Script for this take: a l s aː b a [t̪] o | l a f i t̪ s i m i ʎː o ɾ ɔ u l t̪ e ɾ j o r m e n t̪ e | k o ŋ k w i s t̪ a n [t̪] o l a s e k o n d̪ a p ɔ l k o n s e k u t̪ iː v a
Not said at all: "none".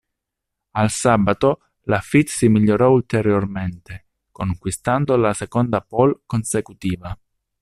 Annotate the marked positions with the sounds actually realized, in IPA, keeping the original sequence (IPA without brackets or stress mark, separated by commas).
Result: t̪, d̪